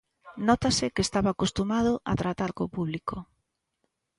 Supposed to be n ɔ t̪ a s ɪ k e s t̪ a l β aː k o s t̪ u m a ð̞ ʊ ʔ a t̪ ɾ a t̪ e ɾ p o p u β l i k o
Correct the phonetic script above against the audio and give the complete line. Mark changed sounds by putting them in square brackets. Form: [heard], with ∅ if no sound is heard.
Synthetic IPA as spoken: n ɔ t̪ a s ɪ k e s t̪ a [∅] β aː k o s t̪ u m a ð̞ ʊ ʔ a t̪ ɾ a t̪ [a] ɾ [k] o p u β l i k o